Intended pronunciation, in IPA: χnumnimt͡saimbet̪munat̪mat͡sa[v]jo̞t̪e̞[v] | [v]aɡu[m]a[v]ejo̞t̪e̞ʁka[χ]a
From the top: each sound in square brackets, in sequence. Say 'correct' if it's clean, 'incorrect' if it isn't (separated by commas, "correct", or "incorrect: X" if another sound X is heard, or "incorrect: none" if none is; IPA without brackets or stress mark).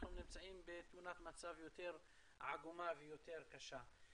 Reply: correct, incorrect: ʁ, incorrect: ʕ, correct, correct, incorrect: ʃ